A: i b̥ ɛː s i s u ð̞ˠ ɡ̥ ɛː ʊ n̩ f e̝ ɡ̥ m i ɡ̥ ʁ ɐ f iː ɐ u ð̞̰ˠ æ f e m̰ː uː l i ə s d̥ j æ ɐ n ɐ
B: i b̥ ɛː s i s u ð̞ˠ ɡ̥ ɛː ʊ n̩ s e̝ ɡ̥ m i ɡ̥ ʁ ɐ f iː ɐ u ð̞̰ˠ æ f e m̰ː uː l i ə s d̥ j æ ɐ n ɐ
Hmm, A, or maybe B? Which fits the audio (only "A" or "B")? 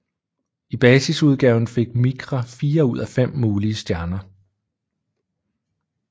A